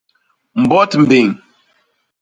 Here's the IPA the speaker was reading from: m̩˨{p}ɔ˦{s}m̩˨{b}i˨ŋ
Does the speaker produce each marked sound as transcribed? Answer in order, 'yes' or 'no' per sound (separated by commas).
no, no, yes